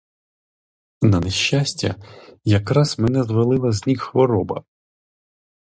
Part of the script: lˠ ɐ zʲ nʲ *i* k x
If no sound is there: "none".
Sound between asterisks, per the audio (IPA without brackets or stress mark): i